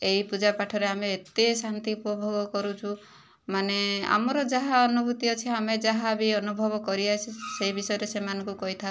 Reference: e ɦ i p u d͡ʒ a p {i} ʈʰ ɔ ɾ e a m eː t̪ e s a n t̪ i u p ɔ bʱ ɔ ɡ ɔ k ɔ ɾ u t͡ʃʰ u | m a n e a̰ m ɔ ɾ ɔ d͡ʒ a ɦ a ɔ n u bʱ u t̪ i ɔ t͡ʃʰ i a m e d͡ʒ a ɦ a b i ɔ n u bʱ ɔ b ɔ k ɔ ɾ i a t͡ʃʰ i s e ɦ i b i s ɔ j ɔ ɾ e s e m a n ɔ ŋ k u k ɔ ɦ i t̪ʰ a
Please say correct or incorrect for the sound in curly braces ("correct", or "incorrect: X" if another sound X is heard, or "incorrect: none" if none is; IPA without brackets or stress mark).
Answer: incorrect: a